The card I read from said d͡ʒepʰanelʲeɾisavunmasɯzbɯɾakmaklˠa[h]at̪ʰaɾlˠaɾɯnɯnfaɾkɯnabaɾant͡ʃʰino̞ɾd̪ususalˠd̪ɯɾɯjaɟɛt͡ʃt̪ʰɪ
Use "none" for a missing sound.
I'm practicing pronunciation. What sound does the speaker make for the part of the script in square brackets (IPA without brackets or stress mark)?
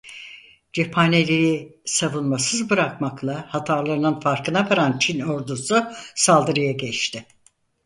h